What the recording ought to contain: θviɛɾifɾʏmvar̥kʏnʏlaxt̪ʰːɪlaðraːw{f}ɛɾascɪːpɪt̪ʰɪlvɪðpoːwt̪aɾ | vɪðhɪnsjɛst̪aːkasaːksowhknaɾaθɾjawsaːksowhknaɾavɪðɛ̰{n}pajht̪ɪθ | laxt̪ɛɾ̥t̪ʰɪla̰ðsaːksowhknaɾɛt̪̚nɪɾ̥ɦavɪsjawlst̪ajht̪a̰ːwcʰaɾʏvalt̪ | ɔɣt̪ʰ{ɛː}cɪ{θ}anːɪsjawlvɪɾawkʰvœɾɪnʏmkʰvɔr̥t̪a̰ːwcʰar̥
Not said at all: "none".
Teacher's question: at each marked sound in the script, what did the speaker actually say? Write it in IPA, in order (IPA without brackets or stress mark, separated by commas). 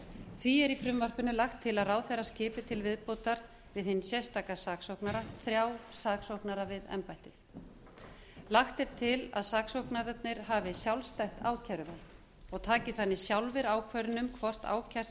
θ, m, aː, θ